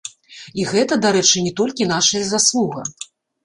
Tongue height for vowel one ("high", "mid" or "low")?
high